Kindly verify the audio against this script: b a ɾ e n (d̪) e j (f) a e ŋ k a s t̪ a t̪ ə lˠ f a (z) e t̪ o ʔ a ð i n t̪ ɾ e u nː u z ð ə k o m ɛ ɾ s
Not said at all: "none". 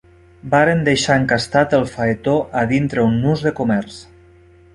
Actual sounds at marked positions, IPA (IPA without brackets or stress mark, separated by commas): d̪, ʃ, none